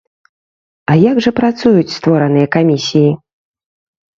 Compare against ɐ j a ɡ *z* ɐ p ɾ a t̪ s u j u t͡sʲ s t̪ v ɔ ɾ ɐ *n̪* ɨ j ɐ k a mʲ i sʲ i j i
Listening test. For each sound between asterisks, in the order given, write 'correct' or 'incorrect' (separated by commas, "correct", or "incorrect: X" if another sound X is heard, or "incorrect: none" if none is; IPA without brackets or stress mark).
incorrect: ʐ, correct